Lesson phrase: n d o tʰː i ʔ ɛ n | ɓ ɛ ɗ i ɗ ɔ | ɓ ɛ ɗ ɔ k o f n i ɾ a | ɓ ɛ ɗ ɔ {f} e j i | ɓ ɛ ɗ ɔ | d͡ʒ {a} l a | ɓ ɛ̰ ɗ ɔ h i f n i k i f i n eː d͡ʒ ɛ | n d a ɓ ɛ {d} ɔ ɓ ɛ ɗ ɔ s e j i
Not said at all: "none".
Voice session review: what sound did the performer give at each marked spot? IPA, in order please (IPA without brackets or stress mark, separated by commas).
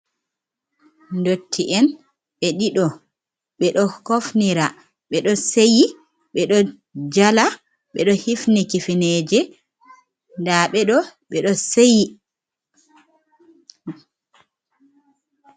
s, a, ɗ